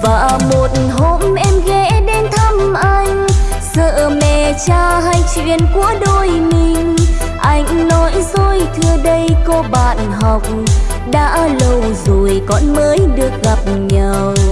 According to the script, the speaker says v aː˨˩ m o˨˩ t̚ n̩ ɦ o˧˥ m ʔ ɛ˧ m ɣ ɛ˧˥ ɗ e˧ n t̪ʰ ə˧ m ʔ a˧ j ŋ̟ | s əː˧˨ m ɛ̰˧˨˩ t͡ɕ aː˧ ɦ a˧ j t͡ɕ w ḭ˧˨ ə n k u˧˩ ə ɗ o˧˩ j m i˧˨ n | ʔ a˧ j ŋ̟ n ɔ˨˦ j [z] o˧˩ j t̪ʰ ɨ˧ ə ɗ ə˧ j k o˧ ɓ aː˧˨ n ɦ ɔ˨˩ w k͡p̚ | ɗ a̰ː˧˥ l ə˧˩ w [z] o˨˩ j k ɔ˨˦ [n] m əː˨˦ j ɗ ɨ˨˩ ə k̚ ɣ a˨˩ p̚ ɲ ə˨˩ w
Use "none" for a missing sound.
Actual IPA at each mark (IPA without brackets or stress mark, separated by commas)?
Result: z, z, n